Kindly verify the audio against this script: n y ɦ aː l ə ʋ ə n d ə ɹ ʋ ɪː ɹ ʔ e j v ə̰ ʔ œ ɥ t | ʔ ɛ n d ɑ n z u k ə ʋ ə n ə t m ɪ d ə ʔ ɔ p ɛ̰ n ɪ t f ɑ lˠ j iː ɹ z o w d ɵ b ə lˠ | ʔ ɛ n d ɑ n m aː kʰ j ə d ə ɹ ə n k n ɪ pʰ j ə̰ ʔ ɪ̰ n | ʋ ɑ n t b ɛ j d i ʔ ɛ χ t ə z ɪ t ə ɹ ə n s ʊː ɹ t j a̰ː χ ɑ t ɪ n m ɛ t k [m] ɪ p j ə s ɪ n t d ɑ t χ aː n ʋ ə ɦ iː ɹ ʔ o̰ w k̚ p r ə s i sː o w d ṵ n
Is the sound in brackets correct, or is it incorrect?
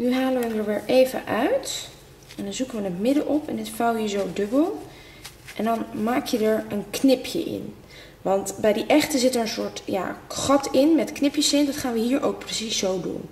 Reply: incorrect